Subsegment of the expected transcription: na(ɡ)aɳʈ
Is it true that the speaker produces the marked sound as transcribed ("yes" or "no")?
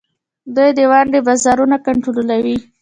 no